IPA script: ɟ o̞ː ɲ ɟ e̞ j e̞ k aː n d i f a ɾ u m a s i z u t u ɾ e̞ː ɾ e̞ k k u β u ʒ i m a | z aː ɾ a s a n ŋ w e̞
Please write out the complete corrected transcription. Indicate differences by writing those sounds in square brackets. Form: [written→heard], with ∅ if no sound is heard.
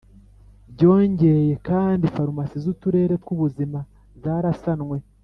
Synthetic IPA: ɟ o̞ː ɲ ɟ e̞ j e̞ k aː n d i f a ɾ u m a s i z u t u ɾ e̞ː ɾ e̞ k k u β u [ʒ→z] i m a | z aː ɾ a s a n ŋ w e̞